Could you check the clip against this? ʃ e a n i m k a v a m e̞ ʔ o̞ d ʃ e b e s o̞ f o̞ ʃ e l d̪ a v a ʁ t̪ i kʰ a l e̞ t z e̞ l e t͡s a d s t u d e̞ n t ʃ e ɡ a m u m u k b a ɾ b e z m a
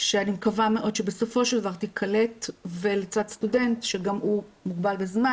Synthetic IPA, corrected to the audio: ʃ e a n i m k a v a m e̞ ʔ o̞ d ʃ e b e s o̞ f o̞ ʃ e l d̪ a v a ʁ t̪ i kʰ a l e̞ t v e̞ l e t͡s a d s t u d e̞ n t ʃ e ɡ a m u m u ɡ b a l b e z m a